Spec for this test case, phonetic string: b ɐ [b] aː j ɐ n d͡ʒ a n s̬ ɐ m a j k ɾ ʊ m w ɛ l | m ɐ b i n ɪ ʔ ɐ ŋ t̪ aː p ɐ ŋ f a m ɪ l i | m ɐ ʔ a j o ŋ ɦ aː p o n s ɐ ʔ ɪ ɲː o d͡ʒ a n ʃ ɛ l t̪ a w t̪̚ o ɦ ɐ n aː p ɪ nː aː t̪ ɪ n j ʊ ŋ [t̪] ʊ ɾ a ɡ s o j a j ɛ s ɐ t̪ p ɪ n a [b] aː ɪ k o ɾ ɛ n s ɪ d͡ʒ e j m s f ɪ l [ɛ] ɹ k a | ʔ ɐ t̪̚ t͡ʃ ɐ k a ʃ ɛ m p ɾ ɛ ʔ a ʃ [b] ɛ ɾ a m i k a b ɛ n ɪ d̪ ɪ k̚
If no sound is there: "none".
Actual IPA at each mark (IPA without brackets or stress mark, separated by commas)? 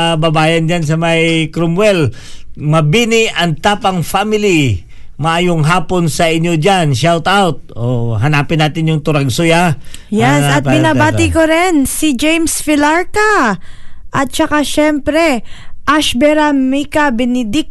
b, t̪, b, a, b